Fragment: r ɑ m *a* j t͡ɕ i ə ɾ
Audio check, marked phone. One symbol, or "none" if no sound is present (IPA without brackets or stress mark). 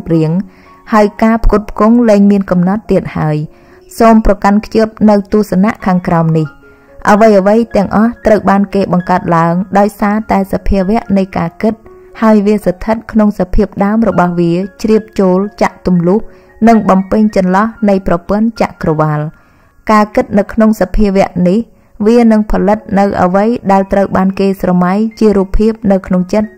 a